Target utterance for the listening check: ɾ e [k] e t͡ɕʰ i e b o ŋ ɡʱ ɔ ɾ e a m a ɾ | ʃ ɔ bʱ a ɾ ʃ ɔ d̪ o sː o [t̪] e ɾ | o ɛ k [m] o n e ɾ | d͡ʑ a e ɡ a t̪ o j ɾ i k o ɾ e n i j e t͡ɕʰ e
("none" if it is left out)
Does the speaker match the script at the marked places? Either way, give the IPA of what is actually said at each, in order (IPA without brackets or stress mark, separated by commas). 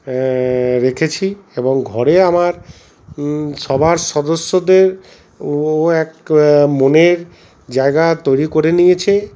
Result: kʰ, d̪, m